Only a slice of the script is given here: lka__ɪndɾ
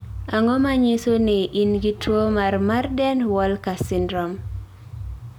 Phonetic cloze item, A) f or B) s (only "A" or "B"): B